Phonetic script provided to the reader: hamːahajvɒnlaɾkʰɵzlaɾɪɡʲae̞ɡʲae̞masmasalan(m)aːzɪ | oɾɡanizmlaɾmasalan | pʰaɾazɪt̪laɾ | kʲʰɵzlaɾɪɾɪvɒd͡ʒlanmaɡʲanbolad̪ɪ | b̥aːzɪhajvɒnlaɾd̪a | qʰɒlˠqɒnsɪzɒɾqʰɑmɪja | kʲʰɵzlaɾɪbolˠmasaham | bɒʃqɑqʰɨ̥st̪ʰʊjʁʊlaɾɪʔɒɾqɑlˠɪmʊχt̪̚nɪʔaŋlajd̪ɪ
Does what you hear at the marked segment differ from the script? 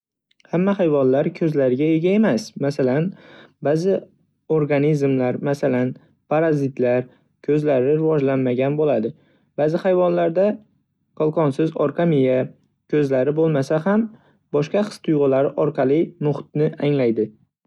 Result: yes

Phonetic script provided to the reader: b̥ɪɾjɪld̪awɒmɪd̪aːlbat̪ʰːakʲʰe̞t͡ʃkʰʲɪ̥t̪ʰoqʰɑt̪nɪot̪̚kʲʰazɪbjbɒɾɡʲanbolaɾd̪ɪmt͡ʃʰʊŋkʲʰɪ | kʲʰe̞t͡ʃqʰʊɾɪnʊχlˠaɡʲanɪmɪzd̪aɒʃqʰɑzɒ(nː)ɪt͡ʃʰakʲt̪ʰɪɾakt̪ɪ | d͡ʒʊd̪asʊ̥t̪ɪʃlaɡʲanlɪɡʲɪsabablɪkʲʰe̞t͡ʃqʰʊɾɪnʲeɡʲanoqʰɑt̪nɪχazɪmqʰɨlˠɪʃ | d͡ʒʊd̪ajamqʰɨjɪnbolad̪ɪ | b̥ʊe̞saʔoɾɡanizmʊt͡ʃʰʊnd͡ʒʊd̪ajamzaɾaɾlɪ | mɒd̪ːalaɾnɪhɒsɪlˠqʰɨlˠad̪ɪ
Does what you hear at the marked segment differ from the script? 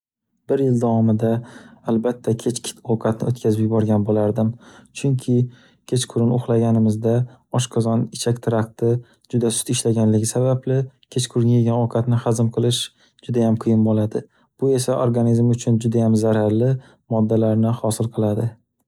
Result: yes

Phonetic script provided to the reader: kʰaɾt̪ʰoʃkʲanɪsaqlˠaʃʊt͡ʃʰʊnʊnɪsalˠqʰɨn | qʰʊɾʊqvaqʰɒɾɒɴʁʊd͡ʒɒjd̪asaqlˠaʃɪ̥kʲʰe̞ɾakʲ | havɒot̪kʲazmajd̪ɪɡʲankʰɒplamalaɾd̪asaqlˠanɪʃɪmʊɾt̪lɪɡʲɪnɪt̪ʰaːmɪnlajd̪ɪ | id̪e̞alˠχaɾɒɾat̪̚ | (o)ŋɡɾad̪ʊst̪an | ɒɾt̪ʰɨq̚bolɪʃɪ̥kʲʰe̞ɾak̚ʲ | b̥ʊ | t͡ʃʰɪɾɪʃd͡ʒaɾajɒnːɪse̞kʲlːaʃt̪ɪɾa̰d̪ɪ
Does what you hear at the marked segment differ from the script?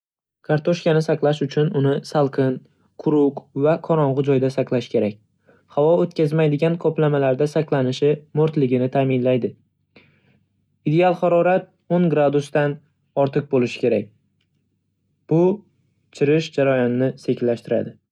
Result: no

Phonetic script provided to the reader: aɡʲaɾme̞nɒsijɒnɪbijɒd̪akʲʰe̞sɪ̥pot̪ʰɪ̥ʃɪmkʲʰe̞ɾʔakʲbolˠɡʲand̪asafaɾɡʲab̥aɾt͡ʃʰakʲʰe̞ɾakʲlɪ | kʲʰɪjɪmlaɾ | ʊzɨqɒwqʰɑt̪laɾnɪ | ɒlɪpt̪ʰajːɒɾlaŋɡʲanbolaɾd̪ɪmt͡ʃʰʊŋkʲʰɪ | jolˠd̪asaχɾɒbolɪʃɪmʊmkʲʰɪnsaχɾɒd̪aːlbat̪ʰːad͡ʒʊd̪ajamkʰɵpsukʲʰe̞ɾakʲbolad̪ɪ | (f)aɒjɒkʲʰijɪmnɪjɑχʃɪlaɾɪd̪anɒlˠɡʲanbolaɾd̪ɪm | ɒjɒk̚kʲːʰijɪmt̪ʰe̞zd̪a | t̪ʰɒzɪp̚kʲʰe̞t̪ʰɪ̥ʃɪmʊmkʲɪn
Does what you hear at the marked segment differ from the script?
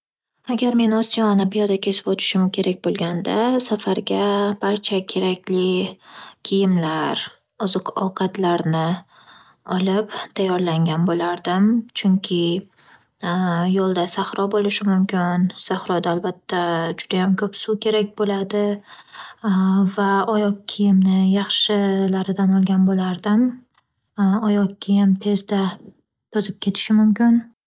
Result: yes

